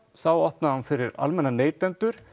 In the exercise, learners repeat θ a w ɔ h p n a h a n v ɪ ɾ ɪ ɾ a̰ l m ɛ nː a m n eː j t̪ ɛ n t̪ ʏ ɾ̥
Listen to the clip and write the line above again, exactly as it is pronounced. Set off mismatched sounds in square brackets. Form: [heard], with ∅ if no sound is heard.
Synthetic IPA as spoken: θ a w ɔ h p n a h a n [f] ɪ ɾ ɪ ɾ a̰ l m ɛ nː a [∅] n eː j t̪ ɛ n t̪ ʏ ɾ̥